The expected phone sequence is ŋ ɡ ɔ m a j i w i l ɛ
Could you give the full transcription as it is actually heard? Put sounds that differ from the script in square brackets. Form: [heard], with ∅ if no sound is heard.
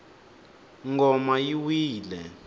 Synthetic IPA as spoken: ŋ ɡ ɔ m a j i w [iː] l ɛ